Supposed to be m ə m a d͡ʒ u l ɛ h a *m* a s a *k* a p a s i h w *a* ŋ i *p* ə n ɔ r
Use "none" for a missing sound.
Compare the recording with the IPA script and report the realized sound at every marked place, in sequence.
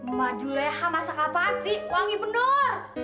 m, k, a, b

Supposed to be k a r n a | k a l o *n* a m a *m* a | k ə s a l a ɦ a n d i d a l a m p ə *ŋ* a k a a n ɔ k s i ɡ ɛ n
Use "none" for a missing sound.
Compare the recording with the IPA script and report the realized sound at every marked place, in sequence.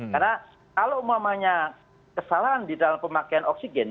m, ɲ, m

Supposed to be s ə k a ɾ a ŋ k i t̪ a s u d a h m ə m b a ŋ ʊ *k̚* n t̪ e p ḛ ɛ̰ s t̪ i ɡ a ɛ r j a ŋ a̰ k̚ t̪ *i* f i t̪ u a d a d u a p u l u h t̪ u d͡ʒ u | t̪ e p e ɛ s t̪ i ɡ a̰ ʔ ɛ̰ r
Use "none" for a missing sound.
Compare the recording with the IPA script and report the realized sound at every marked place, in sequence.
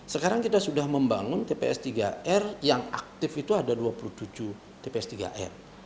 none, ɪ

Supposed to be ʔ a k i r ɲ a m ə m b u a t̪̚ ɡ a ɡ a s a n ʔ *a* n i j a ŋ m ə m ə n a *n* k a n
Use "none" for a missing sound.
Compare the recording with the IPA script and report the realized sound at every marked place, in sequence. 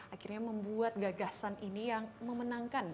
i, ŋ

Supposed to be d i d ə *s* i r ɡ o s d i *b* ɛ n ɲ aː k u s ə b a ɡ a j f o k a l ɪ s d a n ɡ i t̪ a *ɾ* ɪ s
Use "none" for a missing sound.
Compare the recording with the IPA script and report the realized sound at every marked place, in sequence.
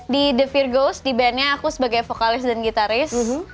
f, b, ɾ

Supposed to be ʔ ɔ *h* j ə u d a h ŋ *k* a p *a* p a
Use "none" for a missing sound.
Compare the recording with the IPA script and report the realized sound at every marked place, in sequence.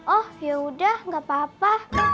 h, ɡ, a

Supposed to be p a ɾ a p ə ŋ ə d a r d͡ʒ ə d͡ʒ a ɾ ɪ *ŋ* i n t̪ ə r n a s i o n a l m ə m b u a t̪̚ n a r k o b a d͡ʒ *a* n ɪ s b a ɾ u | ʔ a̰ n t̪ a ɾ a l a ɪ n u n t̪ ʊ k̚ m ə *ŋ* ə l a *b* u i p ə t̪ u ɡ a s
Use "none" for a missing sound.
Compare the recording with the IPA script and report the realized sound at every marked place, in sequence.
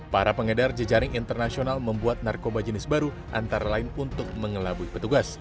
ŋ, ə, ŋ, b

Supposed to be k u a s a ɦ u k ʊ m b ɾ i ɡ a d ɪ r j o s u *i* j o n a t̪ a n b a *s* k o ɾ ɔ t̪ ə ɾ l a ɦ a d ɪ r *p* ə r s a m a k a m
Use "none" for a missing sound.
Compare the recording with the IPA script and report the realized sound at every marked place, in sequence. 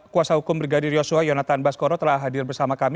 a, s, b

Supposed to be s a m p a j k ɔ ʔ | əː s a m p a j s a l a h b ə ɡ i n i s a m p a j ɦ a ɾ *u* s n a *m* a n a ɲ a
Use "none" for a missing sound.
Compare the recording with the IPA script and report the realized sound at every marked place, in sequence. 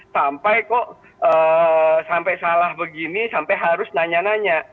ʊ, ɲ

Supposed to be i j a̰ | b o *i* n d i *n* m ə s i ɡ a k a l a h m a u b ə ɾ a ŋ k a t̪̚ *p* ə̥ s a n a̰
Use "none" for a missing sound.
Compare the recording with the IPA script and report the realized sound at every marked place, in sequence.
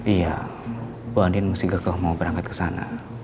a, n, k

